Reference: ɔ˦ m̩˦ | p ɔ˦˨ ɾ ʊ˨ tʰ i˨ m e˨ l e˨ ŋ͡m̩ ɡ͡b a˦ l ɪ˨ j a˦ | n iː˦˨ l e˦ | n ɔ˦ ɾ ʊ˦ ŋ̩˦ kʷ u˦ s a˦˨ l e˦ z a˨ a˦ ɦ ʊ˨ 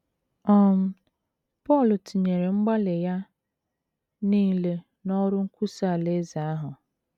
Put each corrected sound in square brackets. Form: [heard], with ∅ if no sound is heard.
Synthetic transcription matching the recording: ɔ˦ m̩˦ | p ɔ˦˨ [l] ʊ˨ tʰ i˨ [ɲ] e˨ [ɾ] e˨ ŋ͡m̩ ɡ͡b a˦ l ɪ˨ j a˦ | n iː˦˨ l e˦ | n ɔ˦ ɾ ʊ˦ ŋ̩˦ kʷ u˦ s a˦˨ l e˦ z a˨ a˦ ɦ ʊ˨